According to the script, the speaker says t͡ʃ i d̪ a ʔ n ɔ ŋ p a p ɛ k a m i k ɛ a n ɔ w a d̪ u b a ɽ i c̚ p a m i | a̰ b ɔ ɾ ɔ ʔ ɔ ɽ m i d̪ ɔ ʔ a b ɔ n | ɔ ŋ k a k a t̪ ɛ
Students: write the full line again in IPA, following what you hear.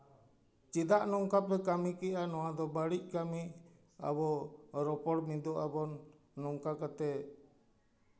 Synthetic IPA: t͡ʃ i d̪ a ʔ n ɔ ŋ k a p ɛ k a m i k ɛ a n ɔ w a d̪ ɔ b a ɽ i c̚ k a m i | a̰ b ɔ ɾ ɔ p ɔ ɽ m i d̪ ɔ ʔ a b ɔ nː | ɔ ŋ k a k a t̪ ɛ